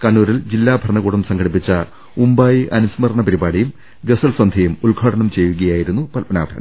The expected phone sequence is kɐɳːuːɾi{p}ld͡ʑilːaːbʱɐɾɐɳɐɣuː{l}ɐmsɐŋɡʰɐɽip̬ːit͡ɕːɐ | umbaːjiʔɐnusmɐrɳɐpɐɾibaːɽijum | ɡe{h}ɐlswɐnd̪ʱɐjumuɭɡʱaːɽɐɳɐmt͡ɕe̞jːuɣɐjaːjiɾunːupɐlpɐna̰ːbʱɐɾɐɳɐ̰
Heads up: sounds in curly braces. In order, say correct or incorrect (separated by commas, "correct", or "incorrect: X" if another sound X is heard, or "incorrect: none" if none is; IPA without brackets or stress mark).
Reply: incorrect: none, incorrect: ɽ, incorrect: s